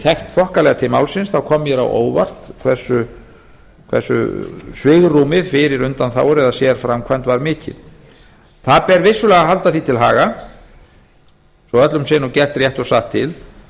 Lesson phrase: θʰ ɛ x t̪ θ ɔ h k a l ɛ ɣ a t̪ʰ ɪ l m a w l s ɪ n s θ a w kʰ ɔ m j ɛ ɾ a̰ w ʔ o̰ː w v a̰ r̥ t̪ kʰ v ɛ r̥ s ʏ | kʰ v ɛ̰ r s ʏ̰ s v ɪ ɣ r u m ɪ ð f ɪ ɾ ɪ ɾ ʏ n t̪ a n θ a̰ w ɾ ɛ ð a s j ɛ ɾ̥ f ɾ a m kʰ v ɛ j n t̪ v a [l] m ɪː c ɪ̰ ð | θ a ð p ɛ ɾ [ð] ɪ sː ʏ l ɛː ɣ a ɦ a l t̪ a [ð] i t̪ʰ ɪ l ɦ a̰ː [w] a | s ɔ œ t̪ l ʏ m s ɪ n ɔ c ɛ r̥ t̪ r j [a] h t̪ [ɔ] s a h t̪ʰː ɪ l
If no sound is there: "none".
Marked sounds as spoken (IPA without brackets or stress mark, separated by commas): ɾ, v, θ, ɣ, ɛ, ɔ